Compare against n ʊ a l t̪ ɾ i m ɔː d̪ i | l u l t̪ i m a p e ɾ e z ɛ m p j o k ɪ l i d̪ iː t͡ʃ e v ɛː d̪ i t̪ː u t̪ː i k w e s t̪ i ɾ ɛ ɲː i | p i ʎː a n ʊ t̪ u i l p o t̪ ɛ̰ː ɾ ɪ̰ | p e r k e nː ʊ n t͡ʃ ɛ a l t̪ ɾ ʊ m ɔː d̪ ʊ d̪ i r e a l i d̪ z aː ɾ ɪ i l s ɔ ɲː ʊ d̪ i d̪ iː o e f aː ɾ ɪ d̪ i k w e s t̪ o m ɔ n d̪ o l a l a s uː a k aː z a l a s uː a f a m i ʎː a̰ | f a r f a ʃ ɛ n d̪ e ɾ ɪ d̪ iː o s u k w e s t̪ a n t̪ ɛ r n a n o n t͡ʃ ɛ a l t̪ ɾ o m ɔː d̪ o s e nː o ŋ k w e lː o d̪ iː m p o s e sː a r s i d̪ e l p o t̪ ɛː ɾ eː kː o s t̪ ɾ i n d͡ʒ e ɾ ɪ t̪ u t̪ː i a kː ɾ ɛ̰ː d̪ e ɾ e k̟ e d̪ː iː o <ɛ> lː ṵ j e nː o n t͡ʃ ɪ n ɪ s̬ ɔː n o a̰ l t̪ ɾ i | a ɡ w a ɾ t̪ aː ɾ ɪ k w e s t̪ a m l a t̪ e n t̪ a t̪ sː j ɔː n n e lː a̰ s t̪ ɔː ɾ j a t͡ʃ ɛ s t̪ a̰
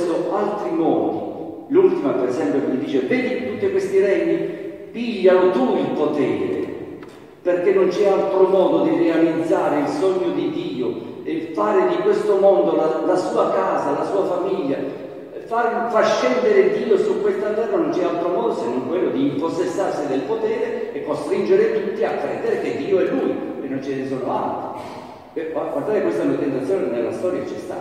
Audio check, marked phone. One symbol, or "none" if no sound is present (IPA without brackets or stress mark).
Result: ɛ